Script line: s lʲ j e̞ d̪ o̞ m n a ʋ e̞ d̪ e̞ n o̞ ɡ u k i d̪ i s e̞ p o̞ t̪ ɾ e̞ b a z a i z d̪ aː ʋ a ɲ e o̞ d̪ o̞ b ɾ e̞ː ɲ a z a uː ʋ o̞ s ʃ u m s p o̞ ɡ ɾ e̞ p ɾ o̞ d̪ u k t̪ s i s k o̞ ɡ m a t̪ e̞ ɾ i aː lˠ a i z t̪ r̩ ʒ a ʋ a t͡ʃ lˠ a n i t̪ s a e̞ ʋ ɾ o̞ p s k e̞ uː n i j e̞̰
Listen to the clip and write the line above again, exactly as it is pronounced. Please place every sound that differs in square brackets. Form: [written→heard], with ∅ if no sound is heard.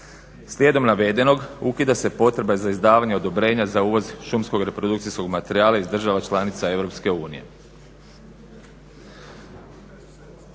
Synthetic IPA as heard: s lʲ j e̞ d̪ o̞ m n a ʋ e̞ d̪ e̞ n o̞ ɡ u k i d̪ [i→a] s e̞ p o̞ t̪ ɾ e̞ b a z a i z d̪ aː ʋ a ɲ e o̞ d̪ o̞ b ɾ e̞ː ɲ a z a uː ʋ o̞ [s→z] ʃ u m s [p→k] o̞ ɡ ɾ e̞ p ɾ o̞ d̪ u k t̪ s i s k o̞ ɡ m a t̪ e̞ ɾ i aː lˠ a i z [t̪→d̪] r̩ ʒ a ʋ a t͡ʃ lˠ a n i t̪ s a e̞ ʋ ɾ o̞ p s k e̞ uː n i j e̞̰